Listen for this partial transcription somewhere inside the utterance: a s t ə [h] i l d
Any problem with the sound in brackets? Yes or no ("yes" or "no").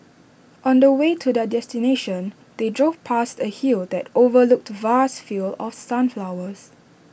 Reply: no